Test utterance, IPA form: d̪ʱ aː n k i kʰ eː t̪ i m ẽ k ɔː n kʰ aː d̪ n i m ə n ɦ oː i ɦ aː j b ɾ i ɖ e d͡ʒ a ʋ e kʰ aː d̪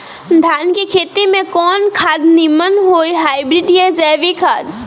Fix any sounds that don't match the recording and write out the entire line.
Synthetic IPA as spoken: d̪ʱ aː n k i kʰ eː t̪ i m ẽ k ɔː n kʰ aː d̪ n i m ə n ɦ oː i ɦ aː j b ɾ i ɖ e d͡ʒ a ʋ i kʰ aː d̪